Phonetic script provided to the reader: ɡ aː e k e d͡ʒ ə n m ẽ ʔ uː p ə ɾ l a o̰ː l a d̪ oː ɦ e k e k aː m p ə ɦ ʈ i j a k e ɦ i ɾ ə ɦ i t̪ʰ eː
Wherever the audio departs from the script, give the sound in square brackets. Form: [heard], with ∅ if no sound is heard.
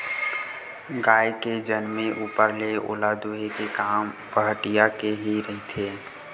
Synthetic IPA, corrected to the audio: ɡ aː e k e d͡ʒ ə n m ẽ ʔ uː p ə ɾ l [e] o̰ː l a d̪ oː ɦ e k e k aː m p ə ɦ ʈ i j a k e ɦ i ɾ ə ɦ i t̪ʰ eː